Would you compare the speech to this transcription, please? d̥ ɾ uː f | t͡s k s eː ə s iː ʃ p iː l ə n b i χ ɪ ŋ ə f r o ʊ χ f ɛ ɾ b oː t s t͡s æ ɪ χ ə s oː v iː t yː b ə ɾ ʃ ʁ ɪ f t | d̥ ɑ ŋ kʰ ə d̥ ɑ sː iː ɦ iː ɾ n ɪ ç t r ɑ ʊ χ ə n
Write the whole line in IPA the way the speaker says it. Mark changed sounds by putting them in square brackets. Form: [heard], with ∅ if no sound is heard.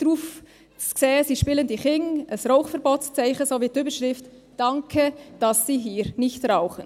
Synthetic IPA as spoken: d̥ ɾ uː f | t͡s k s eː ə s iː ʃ p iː l ə n [d] i χ ɪ ŋ ə [s] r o ʊ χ f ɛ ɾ b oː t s t͡s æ ɪ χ ə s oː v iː t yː b ə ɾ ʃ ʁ ɪ f t | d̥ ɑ ŋ kʰ ə d̥ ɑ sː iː ɦ iː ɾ n ɪ ç t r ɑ ʊ χ ə n